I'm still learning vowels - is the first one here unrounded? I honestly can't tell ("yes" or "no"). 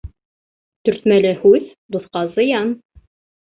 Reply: no